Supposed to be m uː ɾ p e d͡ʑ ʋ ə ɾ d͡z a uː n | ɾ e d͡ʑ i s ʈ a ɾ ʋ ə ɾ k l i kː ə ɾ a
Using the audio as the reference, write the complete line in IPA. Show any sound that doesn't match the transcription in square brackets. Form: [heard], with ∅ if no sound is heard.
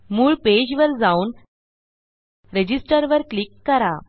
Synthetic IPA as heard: m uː [ɭ] p e d͡ʑ ʋ ə ɾ d͡z a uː n | ɾ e d͡ʑ i s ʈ [ə] ɾ ʋ ə ɾ k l i kː ə ɾ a